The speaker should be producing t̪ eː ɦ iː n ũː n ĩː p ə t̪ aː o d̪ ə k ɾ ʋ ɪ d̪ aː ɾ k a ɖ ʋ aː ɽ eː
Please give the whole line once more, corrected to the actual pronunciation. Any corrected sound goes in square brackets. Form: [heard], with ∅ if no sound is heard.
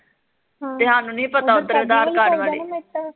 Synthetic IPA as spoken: t̪ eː ɦ [aː] n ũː n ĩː p ə t̪ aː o d̪ ə [∅] ɾ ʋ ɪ d̪ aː ɾ k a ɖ ʋ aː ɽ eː